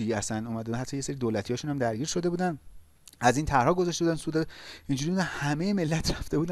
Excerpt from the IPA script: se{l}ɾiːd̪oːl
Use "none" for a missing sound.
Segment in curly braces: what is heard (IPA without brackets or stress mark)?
none